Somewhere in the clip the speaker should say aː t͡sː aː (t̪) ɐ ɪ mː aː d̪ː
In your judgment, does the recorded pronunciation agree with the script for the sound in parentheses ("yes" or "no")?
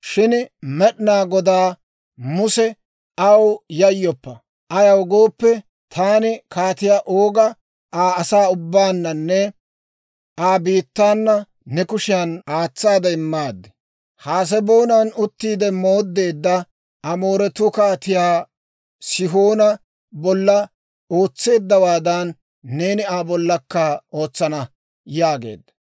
no